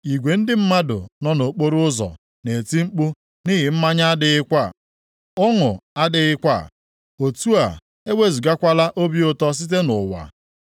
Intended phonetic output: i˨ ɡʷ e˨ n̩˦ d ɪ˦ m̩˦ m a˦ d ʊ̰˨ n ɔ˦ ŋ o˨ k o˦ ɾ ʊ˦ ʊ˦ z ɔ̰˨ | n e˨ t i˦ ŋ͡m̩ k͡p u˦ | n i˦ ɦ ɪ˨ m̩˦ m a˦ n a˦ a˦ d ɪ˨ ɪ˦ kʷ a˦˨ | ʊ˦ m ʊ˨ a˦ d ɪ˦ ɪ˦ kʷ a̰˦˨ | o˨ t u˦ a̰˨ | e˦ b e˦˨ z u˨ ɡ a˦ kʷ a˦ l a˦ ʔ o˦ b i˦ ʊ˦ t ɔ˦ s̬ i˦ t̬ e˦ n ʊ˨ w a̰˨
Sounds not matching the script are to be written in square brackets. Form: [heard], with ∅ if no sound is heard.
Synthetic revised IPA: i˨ ɡʷ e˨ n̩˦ d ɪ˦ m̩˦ m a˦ d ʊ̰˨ n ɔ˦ [n] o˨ [k͡p] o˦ ɾ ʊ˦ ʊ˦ z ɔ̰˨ | n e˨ t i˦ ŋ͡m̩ k͡p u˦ | n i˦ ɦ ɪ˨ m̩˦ m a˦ [ɲ] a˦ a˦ d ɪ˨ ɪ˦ kʷ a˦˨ | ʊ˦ [ŋ] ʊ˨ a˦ d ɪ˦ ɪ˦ kʷ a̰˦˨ | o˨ t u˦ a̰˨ | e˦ [w] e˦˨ z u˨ ɡ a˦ kʷ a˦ l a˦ ʔ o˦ b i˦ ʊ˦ t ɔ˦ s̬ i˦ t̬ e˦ n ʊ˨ w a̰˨